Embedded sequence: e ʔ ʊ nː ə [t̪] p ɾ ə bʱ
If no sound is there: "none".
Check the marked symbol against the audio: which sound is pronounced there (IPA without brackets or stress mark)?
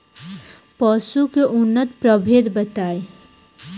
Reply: t̪